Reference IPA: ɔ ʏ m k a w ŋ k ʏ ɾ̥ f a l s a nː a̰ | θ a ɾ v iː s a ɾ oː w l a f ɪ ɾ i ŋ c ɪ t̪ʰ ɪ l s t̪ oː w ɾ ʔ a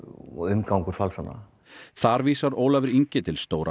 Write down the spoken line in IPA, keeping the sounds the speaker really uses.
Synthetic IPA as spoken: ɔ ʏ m k a w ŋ k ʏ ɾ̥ f a l s a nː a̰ | θ a ɾ v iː s a ɾ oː w l a v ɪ ɾ i ɲ c ɪ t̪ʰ ɪ l s t̪ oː w ɾ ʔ a